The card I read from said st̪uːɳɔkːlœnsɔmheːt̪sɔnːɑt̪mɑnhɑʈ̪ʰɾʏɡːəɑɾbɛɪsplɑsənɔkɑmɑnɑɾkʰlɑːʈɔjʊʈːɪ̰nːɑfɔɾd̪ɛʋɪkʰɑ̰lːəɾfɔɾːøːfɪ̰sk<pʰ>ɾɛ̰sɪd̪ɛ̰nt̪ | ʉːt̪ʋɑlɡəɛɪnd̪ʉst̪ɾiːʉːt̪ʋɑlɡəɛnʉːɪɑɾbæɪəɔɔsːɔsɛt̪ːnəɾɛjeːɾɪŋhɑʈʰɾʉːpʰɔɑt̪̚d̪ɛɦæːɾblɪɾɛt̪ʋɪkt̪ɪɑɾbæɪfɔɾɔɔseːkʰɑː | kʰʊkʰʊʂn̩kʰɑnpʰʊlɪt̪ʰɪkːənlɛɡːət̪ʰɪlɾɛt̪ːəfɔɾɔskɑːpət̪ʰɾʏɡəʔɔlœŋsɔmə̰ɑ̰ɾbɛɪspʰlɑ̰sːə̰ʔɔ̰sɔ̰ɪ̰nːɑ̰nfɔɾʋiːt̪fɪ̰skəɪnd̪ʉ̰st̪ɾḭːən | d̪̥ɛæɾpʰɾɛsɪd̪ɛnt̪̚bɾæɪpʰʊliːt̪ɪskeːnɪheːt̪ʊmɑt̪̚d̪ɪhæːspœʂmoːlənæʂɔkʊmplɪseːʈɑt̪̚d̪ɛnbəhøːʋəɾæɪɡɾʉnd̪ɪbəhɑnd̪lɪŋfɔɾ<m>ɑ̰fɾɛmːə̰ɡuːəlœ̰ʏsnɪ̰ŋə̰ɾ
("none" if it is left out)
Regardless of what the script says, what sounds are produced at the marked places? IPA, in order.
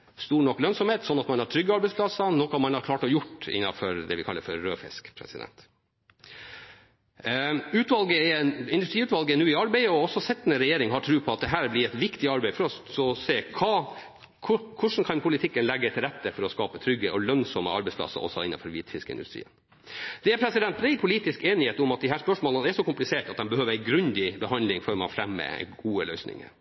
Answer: pʰ, m

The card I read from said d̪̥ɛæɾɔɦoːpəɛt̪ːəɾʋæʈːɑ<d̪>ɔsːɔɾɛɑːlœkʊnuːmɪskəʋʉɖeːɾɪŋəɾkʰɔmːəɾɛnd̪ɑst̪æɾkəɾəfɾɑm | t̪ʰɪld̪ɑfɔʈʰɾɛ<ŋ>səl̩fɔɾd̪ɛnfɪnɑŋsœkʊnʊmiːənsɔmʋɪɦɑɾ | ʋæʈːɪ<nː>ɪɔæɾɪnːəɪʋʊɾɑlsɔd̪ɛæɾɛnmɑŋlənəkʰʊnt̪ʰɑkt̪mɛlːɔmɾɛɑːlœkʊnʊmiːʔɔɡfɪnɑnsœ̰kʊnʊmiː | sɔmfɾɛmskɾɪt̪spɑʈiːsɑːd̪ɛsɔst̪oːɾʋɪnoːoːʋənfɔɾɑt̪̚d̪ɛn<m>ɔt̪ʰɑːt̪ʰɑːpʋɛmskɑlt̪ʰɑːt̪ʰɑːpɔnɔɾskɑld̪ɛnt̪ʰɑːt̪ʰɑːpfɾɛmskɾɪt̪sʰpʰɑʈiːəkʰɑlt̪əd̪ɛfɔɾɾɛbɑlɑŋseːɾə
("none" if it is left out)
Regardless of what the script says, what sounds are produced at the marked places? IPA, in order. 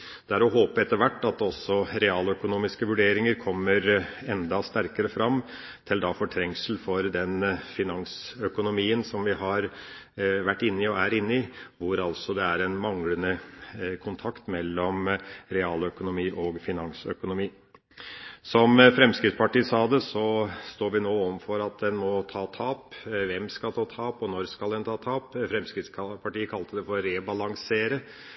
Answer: t̪, ŋ, nː, m

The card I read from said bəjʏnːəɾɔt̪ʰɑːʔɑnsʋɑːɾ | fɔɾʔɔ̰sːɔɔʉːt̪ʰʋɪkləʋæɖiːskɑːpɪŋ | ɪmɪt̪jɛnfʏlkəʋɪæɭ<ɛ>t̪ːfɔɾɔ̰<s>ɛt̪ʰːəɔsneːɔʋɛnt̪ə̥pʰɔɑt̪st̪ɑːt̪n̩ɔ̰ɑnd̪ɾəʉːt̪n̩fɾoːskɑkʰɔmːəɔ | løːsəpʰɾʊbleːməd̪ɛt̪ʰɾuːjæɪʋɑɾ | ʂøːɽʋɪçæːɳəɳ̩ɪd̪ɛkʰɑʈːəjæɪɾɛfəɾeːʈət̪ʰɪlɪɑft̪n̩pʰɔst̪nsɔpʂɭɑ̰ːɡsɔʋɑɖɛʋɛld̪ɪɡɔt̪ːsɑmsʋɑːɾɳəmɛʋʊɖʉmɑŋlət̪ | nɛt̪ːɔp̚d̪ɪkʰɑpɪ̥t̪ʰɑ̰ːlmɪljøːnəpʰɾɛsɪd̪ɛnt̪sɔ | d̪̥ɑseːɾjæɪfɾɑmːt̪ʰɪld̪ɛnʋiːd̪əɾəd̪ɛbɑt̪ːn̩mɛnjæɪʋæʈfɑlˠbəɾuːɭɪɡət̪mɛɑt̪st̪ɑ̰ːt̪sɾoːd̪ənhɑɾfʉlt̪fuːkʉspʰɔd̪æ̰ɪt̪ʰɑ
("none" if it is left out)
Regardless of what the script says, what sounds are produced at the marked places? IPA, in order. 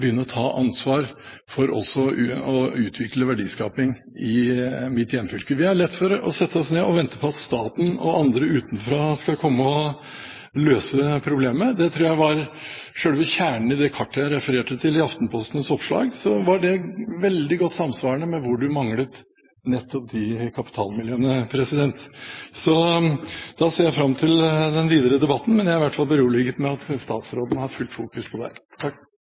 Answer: ɛ, s

